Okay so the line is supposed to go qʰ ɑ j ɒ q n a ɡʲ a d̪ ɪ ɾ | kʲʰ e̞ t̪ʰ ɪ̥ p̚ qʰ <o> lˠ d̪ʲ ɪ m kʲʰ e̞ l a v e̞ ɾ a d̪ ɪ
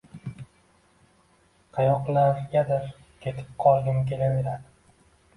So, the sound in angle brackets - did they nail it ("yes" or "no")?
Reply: no